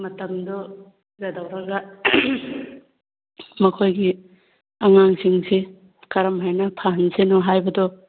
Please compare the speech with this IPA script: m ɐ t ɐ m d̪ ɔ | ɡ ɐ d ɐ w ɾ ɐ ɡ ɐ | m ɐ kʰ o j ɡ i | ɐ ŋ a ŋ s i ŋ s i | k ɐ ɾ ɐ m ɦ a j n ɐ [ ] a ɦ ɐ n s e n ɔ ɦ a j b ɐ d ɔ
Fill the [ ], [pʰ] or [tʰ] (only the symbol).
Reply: pʰ